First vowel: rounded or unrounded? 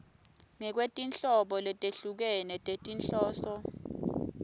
unrounded